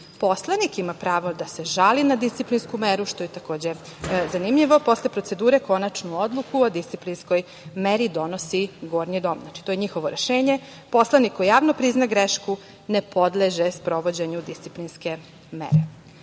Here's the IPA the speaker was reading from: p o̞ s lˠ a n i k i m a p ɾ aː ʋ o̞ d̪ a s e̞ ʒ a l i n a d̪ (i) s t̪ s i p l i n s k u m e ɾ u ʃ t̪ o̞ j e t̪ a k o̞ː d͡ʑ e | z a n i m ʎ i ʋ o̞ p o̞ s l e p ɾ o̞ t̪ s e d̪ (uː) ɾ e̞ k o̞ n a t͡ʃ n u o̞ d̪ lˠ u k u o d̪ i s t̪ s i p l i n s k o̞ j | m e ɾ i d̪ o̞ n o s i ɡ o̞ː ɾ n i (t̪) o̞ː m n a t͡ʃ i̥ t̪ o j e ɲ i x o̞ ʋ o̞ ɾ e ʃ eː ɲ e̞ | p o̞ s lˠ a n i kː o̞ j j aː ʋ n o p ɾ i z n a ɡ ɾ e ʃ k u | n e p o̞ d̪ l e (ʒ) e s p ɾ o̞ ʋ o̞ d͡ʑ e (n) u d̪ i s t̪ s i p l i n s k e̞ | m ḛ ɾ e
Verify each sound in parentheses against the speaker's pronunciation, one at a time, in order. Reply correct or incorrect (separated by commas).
correct, correct, incorrect, correct, incorrect